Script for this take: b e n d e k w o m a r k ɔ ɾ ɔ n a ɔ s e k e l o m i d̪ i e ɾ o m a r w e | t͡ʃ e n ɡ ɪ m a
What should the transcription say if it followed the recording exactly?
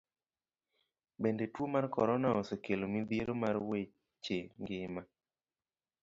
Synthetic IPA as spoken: b e n d e t w o m a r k ɔ ɾ ɔ n a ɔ s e k e l o m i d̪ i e ɾ o m a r w e | t͡ʃ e ŋ ɡ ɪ m a